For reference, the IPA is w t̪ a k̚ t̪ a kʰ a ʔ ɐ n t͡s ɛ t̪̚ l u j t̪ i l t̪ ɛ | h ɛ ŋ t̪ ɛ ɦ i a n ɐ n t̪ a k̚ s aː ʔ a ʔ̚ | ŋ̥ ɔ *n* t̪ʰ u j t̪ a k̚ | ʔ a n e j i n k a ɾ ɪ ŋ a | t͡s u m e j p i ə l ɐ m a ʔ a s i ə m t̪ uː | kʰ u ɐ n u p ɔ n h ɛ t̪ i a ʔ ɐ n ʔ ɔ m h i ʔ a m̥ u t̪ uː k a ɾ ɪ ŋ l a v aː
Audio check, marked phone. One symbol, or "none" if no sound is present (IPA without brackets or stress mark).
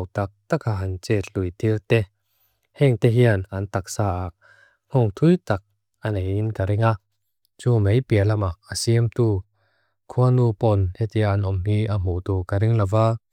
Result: ŋ